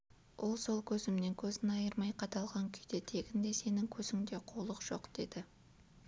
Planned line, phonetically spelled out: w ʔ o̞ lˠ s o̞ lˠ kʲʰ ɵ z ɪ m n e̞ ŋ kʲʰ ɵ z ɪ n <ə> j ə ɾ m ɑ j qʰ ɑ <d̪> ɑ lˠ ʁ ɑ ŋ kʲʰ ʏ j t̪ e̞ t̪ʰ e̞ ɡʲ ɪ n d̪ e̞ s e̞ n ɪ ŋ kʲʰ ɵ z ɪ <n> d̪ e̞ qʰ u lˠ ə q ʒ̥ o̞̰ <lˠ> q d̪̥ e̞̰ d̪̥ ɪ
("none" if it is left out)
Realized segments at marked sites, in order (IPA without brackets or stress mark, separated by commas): ɑ, t̪, ŋ, none